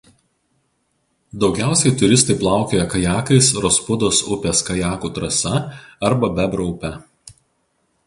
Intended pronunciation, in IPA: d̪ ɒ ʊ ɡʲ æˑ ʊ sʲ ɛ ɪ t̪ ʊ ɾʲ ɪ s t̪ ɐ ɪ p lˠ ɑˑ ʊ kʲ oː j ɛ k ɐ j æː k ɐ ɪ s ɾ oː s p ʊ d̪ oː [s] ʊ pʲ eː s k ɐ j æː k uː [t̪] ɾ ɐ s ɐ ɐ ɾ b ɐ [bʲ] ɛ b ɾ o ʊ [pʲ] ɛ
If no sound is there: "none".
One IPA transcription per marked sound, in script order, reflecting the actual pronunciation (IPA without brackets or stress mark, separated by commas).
s, t̪, bʲ, pʲ